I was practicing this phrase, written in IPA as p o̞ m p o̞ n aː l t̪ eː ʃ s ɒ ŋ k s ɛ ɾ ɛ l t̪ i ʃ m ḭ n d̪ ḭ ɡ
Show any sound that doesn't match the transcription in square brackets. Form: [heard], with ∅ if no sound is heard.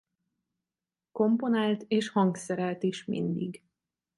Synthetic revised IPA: [k] o̞ m p o̞ n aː l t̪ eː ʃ [h] ɒ ŋ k s ɛ ɾ ɛ l t̪ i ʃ m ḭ n d̪ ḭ ɡ